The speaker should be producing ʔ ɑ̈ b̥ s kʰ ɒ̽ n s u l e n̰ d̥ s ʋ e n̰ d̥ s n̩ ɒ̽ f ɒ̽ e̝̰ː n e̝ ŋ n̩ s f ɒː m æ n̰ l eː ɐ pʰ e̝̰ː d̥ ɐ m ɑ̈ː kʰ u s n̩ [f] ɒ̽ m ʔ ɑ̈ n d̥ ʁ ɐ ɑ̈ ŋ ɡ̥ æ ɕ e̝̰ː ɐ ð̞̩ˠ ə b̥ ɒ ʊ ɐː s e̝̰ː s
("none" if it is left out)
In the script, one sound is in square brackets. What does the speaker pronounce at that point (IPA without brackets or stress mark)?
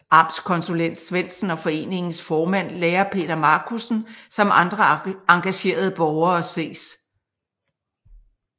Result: s